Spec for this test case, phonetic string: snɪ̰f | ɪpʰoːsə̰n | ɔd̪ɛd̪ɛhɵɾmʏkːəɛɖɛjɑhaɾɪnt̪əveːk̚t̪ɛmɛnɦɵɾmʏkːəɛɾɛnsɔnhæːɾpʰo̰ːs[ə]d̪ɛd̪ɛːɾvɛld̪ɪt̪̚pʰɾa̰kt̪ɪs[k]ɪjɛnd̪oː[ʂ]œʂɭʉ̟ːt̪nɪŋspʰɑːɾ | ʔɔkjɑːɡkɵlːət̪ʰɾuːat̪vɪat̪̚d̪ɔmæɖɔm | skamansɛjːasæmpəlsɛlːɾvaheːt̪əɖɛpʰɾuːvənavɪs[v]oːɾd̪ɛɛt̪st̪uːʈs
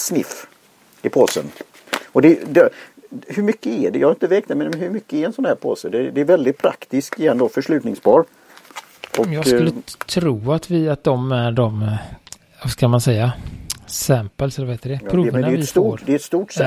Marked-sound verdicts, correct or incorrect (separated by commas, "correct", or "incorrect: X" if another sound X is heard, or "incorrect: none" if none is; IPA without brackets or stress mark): correct, correct, incorrect: f, incorrect: f